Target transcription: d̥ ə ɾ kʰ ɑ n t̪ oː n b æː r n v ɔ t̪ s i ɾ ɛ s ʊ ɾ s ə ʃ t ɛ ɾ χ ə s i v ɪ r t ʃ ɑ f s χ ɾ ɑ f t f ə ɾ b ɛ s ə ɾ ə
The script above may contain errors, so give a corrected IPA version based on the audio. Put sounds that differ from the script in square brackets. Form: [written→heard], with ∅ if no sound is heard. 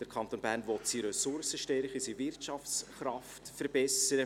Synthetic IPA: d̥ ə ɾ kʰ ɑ n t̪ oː n b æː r n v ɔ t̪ s i ɾ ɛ s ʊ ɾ s ə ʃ t ɛ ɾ χ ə s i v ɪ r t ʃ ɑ f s χ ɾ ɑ f t f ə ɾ b ɛ s ə ɾ ə